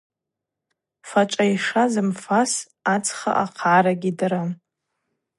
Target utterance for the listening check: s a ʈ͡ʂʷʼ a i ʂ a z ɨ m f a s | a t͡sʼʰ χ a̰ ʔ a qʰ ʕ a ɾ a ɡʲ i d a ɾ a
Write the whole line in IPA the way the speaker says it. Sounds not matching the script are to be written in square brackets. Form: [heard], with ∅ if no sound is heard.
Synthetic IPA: [f] a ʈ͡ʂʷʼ a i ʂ a z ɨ m f a s | a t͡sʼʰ χ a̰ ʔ a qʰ ʕ a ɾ a ɡʲ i d a ɾ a